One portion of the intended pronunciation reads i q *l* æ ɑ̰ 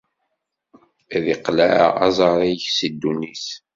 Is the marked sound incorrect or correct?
correct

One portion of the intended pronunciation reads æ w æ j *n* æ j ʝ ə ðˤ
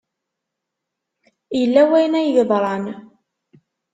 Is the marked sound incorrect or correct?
correct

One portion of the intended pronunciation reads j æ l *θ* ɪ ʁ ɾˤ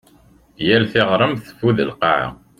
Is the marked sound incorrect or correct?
correct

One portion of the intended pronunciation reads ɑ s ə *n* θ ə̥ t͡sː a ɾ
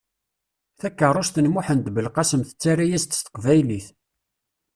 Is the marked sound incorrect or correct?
incorrect: m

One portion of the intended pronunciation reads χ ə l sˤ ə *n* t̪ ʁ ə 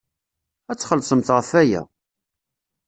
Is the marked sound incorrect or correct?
incorrect: m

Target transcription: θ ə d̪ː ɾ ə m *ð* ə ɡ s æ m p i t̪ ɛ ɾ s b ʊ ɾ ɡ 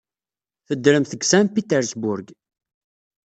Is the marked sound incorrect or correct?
incorrect: θ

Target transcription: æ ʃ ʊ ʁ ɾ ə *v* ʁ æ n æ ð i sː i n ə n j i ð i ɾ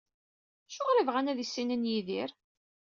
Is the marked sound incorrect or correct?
correct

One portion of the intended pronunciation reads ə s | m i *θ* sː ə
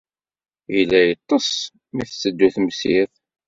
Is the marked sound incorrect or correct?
correct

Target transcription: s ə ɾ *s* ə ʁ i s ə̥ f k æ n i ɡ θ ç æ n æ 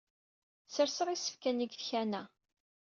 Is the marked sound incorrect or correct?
correct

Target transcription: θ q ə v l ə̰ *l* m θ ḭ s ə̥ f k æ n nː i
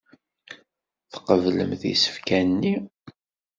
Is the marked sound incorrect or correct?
incorrect: none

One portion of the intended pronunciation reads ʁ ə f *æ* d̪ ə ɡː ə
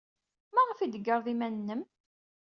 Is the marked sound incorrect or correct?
incorrect: i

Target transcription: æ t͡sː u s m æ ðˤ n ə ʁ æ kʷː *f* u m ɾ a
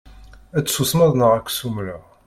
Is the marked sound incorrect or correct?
incorrect: s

